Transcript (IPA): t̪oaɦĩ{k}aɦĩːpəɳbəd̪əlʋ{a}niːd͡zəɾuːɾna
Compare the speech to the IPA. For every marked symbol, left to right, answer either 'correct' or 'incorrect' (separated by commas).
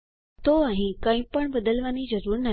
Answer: correct, correct